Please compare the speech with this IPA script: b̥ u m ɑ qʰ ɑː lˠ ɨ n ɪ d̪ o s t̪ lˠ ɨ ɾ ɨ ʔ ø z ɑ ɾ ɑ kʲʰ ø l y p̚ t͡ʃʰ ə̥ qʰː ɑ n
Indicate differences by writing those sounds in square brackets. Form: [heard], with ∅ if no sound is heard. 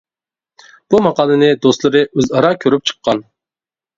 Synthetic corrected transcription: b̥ u m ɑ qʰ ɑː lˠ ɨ n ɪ d̪ o s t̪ lˠ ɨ ɾ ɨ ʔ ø z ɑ ɾ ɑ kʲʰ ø [ɾ] y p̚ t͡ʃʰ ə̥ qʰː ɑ n

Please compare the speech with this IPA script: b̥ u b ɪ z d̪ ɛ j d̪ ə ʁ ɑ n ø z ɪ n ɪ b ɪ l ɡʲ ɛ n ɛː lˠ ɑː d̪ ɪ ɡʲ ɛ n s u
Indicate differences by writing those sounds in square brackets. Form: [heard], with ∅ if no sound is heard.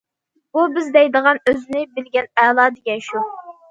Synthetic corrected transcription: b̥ u b ɪ z d̪ ɛ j d̪ ə ʁ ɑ n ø z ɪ n ɪ b ɪ l ɡʲ ɛ n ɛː lˠ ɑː d̪ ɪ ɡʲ ɛ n [ʃ] u

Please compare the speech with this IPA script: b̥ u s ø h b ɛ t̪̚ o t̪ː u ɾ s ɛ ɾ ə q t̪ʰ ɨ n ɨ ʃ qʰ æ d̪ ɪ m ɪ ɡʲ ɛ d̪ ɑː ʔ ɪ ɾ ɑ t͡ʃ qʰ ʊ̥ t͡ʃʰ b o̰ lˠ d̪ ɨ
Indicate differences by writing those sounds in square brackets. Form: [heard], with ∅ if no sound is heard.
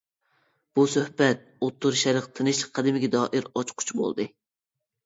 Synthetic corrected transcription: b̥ u s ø h b ɛ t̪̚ o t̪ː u ɾ [ʃ] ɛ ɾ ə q t̪ʰ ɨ n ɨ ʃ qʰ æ d̪ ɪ m ɪ ɡʲ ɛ d̪ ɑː ʔ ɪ ɾ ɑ t͡ʃ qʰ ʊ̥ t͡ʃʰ b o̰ lˠ d̪ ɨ

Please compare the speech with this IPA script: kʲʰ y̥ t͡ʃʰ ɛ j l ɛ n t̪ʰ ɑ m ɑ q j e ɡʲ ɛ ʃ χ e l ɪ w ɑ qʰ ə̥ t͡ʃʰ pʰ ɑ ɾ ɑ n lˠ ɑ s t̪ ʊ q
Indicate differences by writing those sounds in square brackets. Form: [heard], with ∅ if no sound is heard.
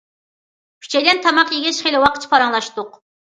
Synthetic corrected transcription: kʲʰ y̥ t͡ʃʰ ɛ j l ɛ n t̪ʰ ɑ m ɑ q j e ɡʲ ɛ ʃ χ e l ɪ w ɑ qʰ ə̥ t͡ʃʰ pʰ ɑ ɾ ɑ [ŋ] lˠ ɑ [ʃ] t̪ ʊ q

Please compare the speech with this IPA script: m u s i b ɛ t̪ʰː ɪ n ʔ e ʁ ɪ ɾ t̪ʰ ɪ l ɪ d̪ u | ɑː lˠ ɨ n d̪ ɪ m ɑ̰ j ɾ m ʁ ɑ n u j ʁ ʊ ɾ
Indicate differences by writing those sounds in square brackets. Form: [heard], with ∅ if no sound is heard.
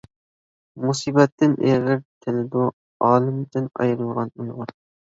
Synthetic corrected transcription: m u s i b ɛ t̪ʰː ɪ n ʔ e ʁ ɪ ɾ t̪ʰ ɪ l ɪ d̪ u | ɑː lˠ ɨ [m] d̪ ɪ [n] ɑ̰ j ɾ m ʁ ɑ n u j ʁ ʊ ɾ

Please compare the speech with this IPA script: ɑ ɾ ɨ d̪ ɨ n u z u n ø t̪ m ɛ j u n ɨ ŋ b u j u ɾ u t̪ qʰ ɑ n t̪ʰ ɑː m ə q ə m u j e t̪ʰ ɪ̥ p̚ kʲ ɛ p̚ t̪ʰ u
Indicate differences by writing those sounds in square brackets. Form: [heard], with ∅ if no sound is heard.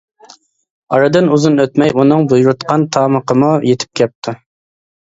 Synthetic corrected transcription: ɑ ɾ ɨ d̪ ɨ n u z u n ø t̪ m ɛ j u n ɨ ŋ b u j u ɾ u t̪ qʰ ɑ n t̪ʰ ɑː m ə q ə m u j e t̪ʰ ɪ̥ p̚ kʲ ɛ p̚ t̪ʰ u

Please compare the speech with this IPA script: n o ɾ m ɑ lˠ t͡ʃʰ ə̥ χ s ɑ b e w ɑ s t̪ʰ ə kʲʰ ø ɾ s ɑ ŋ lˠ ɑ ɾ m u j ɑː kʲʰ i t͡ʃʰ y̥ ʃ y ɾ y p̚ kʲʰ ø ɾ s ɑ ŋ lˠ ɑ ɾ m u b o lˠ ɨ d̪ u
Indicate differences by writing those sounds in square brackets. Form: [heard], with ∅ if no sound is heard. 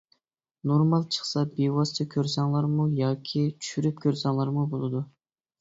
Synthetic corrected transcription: n o ɾ m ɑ lˠ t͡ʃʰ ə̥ χ s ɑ b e w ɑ s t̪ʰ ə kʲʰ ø ɾ s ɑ ŋ lˠ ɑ ɾ m u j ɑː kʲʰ i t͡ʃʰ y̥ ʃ y ɾ y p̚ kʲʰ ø ɾ s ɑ ŋ lˠ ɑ ɾ m u b o lˠ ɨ d̪ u

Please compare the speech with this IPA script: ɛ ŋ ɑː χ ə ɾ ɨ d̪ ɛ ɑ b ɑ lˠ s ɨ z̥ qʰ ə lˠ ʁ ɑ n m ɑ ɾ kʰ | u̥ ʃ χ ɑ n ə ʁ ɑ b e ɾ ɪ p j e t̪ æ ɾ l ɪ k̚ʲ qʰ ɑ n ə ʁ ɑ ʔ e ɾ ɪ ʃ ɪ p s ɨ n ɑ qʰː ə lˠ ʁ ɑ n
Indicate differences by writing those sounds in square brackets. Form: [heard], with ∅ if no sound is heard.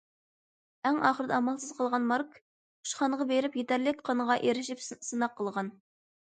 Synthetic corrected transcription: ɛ ŋ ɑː χ ə ɾ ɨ d̪ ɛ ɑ [m] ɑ lˠ s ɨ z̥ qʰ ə lˠ ʁ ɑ n m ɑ ɾ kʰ | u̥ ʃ χ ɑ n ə ʁ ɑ b e ɾ ɪ p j e t̪ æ ɾ l ɪ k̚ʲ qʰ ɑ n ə ʁ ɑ ʔ e ɾ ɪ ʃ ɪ p s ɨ n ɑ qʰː ə lˠ ʁ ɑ n

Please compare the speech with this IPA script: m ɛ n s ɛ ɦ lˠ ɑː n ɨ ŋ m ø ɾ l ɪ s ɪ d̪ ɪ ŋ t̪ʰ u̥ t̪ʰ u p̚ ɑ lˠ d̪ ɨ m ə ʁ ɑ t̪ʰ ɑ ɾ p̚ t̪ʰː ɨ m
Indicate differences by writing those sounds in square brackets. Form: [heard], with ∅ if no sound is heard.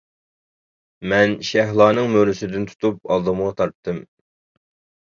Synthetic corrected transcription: m ɛ n [ʃ] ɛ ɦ lˠ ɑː n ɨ ŋ m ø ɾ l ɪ s ɪ d̪ ɪ [n] t̪ʰ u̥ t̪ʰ u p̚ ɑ lˠ d̪ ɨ m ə ʁ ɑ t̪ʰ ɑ ɾ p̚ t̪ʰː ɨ m

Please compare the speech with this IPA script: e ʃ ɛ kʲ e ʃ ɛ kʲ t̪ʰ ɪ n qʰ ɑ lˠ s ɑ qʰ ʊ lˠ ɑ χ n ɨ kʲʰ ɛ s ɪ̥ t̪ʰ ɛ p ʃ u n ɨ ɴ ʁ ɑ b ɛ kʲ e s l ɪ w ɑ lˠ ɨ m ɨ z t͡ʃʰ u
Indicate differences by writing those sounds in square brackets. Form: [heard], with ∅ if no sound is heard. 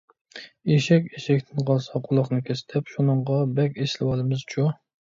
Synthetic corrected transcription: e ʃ ɛ kʲ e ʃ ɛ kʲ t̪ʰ ɪ n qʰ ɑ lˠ s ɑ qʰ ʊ lˠ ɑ χ n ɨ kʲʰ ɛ s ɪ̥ t̪ʰ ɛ p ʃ u n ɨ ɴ ʁ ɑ b ɛ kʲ e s l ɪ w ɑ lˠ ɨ m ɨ z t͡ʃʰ u

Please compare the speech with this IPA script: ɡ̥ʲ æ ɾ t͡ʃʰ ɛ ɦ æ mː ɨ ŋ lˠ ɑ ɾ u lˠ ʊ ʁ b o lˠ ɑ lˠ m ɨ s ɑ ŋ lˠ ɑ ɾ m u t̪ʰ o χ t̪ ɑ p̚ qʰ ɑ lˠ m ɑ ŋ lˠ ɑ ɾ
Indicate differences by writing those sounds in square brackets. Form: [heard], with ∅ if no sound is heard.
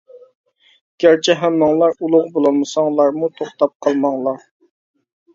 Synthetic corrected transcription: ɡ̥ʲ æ ɾ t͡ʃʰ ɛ ɦ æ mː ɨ ŋ lˠ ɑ ɾ u lˠ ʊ ʁ b o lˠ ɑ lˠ m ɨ s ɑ ŋ lˠ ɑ ɾ m u t̪ʰ o χ t̪ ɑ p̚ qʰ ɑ lˠ m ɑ ŋ lˠ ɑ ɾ

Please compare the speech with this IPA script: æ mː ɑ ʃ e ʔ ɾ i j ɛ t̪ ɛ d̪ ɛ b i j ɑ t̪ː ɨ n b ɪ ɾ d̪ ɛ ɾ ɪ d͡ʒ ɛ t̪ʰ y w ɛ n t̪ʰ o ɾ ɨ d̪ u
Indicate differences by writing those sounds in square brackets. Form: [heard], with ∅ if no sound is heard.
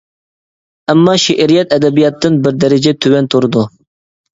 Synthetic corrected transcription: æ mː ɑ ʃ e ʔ ɾ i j ɛ t̪ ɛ d̪ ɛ b i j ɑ t̪ː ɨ n b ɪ ɾ d̪ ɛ ɾ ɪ d͡ʒ ɛ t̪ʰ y w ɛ n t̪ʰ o ɾ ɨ d̪ u

